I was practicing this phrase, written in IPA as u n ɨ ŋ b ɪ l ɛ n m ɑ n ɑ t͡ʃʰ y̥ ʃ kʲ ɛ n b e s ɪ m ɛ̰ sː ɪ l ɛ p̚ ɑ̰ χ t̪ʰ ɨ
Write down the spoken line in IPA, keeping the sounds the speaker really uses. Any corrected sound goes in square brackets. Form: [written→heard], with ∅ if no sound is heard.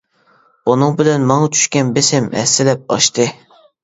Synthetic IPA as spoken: u n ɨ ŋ b ɪ l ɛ n m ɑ [n→ŋ] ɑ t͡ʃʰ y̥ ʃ kʲ ɛ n b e s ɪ m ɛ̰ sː ɪ l ɛ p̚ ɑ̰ [χ→ʃ] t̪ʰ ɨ